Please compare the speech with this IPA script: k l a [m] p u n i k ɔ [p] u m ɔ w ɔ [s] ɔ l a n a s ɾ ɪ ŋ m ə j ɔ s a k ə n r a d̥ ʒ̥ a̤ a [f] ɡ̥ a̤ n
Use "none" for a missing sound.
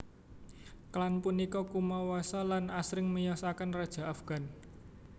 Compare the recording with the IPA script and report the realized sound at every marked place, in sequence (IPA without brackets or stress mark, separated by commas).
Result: n, k, s, f